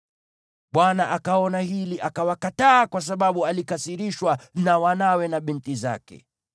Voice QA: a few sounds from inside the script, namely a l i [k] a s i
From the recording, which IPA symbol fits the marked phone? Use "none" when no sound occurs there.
k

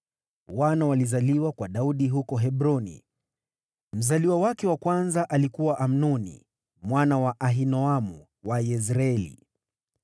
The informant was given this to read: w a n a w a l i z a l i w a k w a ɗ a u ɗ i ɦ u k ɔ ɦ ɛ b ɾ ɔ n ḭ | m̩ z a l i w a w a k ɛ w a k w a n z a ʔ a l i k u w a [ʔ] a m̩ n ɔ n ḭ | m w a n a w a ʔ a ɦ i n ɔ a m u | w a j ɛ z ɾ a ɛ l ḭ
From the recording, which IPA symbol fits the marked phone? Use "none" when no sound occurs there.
ʔ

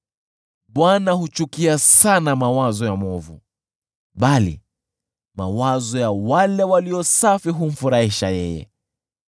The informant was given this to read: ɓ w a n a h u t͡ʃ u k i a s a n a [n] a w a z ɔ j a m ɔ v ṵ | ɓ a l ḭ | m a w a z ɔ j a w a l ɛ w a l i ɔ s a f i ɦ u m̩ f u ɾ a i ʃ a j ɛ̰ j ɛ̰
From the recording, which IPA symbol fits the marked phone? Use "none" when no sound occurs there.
m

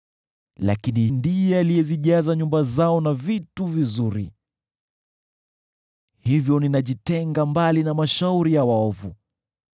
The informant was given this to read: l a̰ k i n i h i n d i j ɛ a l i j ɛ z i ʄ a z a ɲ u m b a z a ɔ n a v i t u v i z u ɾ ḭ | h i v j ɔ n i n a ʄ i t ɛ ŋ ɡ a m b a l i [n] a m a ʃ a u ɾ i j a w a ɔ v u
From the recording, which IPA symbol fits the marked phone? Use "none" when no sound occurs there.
n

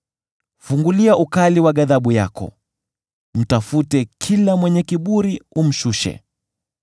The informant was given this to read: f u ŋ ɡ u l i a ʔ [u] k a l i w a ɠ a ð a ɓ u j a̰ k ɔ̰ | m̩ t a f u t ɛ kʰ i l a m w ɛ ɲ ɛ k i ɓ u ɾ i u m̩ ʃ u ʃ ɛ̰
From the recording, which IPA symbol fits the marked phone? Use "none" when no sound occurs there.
u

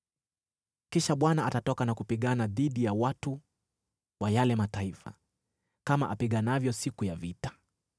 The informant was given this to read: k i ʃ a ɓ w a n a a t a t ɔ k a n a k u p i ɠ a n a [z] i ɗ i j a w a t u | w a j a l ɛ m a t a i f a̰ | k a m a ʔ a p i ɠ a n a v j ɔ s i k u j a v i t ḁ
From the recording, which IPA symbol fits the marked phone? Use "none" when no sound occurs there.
ð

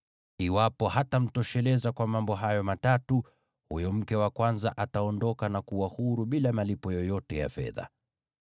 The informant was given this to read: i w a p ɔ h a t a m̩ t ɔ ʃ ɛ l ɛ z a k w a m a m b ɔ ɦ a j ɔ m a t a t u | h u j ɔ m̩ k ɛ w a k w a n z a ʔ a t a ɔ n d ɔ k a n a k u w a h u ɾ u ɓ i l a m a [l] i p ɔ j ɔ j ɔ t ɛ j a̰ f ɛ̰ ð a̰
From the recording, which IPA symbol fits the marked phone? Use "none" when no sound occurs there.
l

